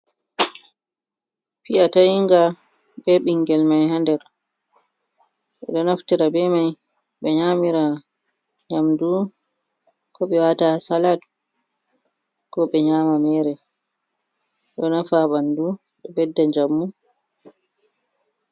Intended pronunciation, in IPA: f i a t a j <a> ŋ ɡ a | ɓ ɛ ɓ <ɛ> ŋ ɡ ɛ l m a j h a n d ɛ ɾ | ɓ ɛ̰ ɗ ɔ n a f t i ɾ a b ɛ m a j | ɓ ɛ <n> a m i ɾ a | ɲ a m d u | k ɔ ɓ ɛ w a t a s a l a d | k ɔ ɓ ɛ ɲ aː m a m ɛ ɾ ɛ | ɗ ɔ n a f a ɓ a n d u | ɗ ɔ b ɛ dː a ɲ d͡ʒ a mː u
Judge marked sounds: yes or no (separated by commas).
no, no, no